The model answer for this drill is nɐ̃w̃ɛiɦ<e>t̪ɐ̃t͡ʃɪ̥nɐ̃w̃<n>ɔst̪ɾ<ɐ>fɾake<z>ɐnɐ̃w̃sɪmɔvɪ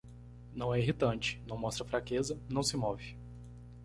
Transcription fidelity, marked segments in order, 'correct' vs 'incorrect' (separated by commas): incorrect, incorrect, correct, correct